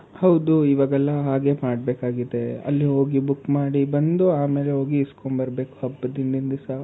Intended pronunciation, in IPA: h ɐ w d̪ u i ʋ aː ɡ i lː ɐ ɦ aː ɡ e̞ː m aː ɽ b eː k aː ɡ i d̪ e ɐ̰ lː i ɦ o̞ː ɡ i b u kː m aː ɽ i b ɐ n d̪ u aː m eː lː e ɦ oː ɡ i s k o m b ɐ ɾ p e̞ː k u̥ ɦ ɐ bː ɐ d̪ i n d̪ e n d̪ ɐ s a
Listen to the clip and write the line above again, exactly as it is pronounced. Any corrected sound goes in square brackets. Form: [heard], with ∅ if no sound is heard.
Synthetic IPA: h ɐ w d̪ u i ʋ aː ɡ [ɛ] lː ɐ ɦ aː ɡ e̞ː m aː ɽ b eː k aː ɡ i d̪ e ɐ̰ lː i ɦ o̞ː ɡ i b u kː m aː ɽ i b ɐ n d̪ u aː m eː [l] e ɦ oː ɡ i s k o m b ɐ ɾ [b] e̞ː k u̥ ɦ ɐ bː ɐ d̪ i n d̪ [i] n d̪ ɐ s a